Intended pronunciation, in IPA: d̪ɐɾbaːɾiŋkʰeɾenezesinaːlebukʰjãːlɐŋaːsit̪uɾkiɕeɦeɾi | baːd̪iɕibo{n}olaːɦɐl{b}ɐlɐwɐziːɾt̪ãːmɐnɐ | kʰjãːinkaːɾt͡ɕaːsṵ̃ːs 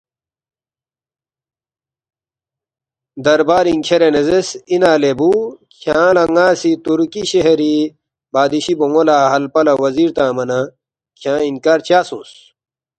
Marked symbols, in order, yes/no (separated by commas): no, no